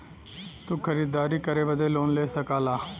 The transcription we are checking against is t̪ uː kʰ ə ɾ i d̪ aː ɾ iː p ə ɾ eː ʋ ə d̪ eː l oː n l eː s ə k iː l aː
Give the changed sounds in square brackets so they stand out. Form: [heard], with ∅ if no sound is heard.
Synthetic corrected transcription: t̪ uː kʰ ə ɾ [iː] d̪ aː ɾ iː [k] ə ɾ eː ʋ ə d̪ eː l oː n l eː s ə k [aː] l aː

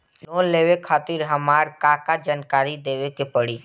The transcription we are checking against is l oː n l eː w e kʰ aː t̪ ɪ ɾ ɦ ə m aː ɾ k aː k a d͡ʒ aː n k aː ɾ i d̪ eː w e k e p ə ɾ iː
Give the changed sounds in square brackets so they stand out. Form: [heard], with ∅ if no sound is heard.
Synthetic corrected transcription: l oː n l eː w e kʰ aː t̪ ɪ ɾ ɦ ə m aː ɾ k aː k a d͡ʒ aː n k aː ɾ i d̪ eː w e k e p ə [ɽ] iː

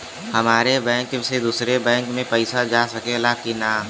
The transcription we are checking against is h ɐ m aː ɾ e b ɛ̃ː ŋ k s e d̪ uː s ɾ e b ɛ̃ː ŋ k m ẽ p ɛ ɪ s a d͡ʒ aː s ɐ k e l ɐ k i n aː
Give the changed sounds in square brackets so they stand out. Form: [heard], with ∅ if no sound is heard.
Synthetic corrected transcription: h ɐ m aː ɾ e b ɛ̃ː ŋ k s e d̪ uː s ɾ e b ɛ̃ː ŋ k m ẽ p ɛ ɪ s a d͡ʒ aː s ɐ k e l [a] k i n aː

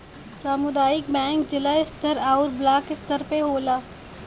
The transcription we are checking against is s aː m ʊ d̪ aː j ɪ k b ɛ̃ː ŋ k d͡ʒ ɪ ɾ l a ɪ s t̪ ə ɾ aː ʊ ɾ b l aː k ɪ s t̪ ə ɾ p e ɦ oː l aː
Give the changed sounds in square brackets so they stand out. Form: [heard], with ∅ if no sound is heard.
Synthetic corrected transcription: s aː m ʊ d̪ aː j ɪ k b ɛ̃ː ŋ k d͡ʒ ɪ [∅] l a ɪ s t̪ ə ɾ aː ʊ ɾ b l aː k ɪ s t̪ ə ɾ p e ɦ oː l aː

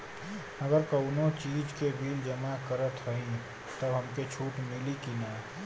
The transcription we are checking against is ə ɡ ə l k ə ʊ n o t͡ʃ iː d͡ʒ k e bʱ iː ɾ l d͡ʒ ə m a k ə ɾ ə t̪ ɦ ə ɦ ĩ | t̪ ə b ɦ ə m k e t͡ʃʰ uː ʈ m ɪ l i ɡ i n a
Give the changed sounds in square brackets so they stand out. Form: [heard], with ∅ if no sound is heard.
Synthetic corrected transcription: ə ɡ ə [ɾ] k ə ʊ n o t͡ʃ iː d͡ʒ k e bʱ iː [∅] l d͡ʒ ə m a k ə ɾ ə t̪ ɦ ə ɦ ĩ | t̪ ə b ɦ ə m k e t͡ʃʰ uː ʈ m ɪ l i [k] i n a

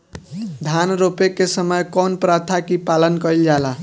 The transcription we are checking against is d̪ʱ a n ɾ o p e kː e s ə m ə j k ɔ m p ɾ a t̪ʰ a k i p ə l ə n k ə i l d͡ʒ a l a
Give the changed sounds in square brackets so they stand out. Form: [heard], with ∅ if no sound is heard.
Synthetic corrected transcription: d̪ʱ a n ɾ o p e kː e s ə m ə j k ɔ [n] p ɾ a t̪ʰ a k i p [a] l ə n k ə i l d͡ʒ a l a

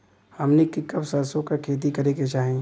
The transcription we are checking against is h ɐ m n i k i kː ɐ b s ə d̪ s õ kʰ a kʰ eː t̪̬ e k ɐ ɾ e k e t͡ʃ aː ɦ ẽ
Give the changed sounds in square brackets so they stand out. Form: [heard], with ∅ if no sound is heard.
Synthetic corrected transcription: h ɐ m n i k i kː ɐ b s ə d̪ s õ [k] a kʰ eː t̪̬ [i] k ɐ ɾ e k e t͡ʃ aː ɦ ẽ

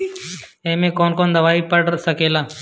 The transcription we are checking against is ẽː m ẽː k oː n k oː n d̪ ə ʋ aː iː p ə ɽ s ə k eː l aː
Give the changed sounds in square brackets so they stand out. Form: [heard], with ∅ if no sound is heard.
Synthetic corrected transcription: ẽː m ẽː k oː n k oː n d̪ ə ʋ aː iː p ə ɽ s ə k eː l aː

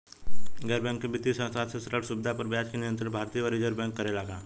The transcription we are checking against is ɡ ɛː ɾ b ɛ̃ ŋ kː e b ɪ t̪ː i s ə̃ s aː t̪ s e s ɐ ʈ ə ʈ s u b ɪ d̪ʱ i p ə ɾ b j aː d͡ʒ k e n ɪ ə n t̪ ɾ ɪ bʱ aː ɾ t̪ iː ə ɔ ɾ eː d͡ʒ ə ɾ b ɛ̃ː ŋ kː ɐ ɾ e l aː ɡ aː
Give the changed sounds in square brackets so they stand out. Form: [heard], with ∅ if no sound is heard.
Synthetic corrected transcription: ɡ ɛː ɾ b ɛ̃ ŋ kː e b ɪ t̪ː i s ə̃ s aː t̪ s e s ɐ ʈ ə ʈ s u b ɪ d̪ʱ [a] p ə ɾ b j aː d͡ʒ k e n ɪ ə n t̪ ɾ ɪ bʱ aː ɾ t̪ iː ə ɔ ɾ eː d͡ʒ ə ɾ b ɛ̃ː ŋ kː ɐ ɾ e l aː ɡ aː

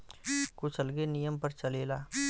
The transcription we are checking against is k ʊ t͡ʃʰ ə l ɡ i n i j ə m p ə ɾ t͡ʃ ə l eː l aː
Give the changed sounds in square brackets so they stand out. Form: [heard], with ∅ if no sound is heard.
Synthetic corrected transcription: k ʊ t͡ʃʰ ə l ɡ [e] n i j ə m p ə ɾ t͡ʃ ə l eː l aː

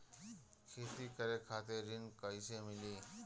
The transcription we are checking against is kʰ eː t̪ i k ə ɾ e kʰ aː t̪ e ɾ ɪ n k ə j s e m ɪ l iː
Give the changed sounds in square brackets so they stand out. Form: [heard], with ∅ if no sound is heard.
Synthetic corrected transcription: kʰ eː t̪ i k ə ɾ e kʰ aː t̪ e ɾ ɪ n k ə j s e m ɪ l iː

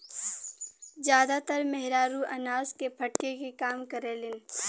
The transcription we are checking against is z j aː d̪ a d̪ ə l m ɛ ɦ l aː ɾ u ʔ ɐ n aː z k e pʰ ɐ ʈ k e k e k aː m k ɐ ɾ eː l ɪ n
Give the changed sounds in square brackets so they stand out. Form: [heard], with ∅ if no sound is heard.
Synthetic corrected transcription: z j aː d̪ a [t̪] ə [ɾ] m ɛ ɦ [ɾ] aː ɾ u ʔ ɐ n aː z k e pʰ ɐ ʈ k e k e k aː m k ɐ ɾ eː l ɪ n

